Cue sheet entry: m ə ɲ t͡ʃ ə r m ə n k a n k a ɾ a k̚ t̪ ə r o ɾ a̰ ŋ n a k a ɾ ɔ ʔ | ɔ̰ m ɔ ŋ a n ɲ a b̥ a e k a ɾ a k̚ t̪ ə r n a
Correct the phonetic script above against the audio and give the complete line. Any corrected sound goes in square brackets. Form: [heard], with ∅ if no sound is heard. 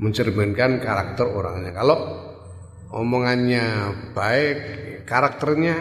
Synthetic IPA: m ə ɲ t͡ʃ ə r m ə n k a n k a ɾ a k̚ t̪ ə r o ɾ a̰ ŋ [ɲ] a k a [l] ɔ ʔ | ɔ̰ m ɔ ŋ a n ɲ a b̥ a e k a ɾ a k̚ t̪ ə r [ɲ] a